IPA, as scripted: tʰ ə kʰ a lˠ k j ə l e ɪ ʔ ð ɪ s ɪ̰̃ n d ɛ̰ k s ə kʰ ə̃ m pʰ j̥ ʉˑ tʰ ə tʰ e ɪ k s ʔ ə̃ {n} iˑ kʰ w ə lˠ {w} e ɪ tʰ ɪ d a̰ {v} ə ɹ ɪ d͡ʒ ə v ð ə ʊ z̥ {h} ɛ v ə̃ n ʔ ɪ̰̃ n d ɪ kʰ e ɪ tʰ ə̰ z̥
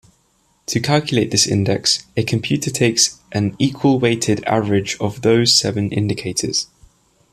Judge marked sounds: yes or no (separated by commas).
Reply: yes, yes, yes, no